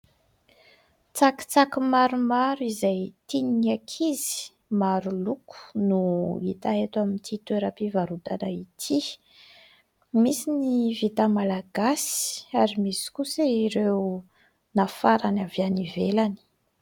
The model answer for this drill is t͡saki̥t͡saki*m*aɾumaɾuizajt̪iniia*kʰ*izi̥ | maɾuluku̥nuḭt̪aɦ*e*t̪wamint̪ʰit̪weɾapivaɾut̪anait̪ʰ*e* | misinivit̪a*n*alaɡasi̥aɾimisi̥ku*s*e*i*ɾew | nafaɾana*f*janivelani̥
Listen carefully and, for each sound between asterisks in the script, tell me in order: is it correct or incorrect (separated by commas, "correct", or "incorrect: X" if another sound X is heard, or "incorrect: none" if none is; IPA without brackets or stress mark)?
correct, correct, correct, incorrect: i, incorrect: m, correct, correct, incorrect: v